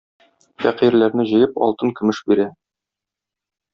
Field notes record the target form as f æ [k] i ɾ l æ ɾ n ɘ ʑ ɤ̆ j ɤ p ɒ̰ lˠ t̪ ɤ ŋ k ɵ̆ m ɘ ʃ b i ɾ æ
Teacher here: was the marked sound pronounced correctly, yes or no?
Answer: no